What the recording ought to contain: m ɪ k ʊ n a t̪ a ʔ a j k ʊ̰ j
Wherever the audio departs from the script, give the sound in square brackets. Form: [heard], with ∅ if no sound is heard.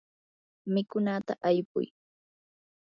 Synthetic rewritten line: m ɪ k ʊ n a t̪ a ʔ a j [p] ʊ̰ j